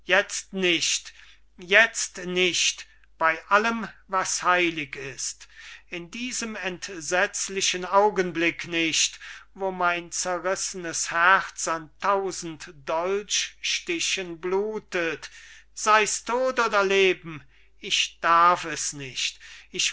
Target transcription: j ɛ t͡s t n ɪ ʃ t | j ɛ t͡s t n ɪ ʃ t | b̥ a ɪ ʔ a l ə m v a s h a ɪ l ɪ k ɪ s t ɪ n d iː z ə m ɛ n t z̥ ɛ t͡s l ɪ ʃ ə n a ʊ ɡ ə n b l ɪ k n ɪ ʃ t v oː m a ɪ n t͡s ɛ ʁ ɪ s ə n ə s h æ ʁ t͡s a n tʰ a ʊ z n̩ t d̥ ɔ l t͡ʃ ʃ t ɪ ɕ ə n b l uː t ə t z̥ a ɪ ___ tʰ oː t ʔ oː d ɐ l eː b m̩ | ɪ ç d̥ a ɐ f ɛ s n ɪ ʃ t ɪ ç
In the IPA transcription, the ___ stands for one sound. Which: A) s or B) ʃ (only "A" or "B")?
A